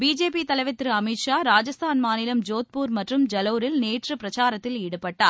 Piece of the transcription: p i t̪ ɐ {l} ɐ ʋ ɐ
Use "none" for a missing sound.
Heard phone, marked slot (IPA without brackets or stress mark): l